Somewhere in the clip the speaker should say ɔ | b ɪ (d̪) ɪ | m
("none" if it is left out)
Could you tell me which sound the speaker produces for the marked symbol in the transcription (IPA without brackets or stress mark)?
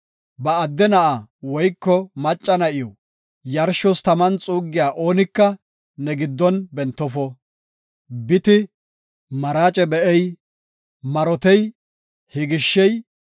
t̪